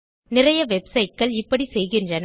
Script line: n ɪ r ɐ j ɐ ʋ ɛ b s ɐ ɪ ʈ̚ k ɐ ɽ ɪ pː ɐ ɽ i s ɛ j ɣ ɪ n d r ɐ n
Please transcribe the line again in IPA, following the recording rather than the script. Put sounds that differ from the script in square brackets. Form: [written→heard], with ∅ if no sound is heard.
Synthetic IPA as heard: n ɪ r ɐ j ɐ ʋ ɛ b s ɐ ɪ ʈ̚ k ɐ [ɽ→ɭ] ɪ pː ɐ ɽ i s ɛ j ɣ ɪ n d r ɐ n